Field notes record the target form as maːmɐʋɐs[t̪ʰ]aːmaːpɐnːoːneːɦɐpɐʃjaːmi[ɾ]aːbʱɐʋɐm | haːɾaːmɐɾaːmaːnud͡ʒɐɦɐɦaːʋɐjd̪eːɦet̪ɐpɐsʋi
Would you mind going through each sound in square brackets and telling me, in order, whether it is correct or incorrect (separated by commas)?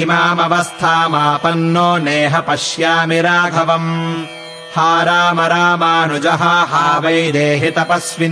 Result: correct, correct